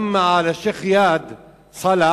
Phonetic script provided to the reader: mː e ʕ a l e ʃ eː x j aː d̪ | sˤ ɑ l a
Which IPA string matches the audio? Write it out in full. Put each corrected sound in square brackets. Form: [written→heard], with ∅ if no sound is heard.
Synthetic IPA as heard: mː [e→a] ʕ a l [e→a] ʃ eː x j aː d̪ | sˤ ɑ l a